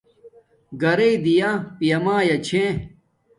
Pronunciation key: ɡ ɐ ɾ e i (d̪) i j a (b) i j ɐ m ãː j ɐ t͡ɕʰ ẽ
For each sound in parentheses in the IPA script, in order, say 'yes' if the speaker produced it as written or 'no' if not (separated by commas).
yes, no